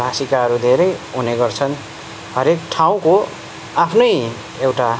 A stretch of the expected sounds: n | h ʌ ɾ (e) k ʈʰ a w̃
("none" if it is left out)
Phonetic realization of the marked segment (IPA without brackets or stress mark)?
e